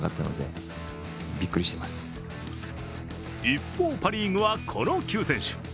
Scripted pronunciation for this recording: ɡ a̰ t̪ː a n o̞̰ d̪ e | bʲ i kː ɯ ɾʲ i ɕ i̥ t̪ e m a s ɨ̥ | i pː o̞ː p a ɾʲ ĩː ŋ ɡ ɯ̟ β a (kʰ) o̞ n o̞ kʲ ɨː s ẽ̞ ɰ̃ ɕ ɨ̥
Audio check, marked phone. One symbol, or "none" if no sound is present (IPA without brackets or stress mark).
kʰ